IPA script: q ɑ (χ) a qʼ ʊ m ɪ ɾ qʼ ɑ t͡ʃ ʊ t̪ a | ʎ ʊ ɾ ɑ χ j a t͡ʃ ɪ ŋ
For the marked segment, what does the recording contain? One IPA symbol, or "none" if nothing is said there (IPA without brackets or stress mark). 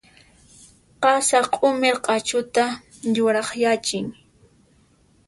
s